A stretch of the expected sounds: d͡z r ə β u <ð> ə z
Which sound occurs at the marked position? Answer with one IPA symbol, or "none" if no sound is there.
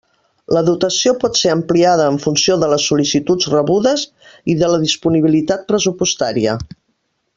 ð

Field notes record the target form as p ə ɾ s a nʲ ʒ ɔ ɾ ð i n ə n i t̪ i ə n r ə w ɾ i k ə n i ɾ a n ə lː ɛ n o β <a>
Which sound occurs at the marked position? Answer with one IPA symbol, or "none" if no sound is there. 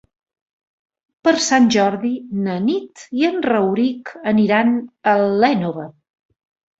ə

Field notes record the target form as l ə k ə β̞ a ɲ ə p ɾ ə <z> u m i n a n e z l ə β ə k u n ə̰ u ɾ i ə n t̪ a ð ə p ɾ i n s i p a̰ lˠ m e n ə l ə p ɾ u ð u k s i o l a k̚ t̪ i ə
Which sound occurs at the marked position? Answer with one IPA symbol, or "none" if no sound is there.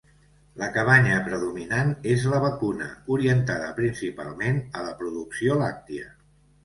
ð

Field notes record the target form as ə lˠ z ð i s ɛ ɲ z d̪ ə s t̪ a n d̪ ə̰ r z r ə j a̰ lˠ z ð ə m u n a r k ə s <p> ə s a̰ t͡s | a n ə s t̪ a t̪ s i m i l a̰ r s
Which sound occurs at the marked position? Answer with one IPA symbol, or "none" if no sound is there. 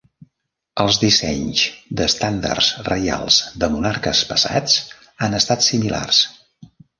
p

